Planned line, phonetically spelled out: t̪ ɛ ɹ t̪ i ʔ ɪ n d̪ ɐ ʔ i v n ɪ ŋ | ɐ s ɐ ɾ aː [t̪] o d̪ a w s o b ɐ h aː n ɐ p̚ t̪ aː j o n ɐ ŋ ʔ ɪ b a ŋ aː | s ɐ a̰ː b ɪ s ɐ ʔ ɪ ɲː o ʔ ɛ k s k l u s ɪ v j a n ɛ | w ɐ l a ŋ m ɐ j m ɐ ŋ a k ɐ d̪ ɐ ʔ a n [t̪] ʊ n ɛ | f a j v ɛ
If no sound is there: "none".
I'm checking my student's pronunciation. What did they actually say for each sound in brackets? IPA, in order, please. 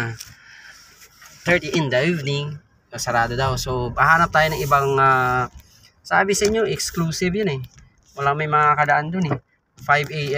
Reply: d̪, d̪

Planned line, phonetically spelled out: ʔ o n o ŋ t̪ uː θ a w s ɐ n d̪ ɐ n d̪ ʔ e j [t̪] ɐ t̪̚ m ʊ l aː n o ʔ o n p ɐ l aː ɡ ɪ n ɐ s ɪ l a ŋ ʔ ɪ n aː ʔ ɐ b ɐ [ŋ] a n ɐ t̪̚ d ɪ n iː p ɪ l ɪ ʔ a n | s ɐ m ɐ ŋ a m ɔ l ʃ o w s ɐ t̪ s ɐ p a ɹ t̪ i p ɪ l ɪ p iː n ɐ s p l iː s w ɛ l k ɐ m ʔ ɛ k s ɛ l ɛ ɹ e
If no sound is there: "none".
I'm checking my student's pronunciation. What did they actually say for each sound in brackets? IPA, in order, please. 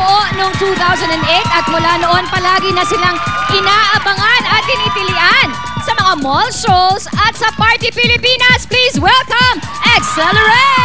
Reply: t̪, ŋ

